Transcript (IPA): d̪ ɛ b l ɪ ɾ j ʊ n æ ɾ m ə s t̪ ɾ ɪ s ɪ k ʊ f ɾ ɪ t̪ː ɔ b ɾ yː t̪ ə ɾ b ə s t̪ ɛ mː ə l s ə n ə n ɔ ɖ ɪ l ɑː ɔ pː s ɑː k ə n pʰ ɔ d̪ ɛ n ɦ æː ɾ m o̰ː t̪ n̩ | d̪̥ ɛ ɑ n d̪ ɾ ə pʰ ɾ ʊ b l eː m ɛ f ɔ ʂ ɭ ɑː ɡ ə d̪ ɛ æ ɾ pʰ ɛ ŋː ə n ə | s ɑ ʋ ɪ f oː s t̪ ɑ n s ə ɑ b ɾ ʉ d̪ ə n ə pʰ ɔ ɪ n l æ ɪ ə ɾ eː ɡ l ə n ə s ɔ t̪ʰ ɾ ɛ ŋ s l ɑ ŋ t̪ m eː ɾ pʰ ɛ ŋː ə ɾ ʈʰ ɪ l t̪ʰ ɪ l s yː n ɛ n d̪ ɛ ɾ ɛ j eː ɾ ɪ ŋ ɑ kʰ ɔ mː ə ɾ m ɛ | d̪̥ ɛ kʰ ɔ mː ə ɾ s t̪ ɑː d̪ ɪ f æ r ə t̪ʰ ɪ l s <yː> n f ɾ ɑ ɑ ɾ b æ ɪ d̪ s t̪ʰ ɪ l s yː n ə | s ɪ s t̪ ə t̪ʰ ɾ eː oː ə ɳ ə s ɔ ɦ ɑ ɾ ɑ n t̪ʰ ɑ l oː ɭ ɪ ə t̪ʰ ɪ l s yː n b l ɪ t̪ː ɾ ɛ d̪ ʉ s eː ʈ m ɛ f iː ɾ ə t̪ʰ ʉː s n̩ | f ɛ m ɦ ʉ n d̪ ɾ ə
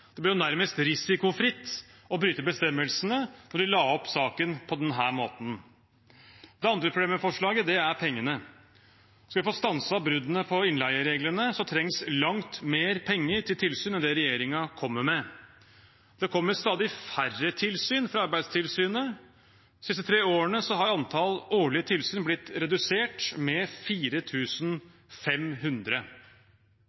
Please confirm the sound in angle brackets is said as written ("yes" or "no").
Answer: yes